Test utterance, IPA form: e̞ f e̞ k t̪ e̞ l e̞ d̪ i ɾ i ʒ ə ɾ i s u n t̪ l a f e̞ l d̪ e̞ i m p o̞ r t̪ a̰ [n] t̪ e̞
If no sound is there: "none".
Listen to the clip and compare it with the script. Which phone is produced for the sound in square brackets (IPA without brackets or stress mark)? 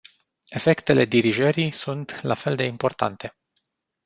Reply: n